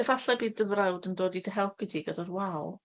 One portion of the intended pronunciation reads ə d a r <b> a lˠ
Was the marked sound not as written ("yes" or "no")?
yes